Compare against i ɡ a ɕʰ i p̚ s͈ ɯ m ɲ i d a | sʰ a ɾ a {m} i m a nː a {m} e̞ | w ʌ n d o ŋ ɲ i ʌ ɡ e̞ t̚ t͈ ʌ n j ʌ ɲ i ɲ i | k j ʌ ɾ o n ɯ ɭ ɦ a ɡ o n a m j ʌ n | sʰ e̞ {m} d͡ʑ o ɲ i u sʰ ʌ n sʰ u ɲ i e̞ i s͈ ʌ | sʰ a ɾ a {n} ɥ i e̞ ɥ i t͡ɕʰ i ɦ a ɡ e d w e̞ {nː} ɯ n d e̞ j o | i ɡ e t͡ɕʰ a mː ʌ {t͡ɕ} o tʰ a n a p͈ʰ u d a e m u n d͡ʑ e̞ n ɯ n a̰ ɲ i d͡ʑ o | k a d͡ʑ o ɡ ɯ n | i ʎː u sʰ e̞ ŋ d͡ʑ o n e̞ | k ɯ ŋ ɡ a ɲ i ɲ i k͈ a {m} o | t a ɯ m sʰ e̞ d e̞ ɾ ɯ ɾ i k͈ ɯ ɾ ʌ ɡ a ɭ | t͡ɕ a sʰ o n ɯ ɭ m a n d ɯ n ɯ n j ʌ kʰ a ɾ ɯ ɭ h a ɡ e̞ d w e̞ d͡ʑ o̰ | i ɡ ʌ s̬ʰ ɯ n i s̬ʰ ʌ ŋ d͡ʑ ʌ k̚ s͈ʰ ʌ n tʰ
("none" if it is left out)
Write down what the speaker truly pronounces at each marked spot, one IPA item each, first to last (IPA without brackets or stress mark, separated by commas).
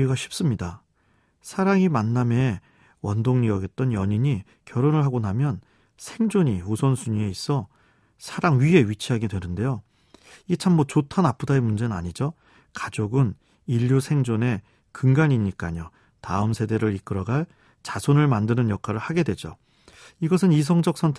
ŋ, m, ŋ, ŋ, n, t͡ɕ, ɲ